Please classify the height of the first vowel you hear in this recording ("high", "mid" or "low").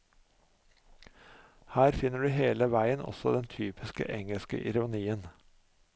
low